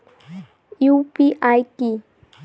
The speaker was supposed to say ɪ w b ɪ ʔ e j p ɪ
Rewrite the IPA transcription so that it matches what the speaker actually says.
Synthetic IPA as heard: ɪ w p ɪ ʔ a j k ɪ